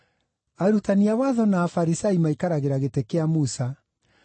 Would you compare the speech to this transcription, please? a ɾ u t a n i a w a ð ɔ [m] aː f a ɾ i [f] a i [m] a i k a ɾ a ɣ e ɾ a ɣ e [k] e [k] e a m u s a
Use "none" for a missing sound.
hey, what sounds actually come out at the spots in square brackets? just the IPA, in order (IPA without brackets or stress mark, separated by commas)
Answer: n, s, m, t, k